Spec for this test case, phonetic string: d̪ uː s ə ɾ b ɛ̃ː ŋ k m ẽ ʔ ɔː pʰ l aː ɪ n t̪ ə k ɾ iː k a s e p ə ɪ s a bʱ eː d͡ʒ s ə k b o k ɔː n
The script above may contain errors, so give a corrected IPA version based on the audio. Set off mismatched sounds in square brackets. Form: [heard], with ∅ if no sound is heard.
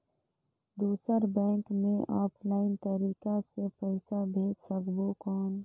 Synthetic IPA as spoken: d̪ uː s ə ɾ b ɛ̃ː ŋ k m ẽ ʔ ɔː pʰ l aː ɪ n t̪ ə [∅] ɾ iː k a s e p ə ɪ s a bʱ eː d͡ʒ s ə k b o k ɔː n